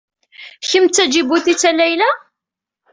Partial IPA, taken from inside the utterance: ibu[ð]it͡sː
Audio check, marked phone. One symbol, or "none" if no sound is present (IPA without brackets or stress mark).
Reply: θ